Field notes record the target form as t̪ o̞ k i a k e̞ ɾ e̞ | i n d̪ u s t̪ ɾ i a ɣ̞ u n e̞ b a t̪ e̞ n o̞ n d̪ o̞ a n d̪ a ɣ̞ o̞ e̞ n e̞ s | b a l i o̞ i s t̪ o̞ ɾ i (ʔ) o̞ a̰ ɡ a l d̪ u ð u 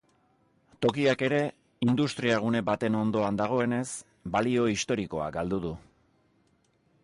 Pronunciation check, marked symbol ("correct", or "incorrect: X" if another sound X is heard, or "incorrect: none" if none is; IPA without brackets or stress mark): incorrect: k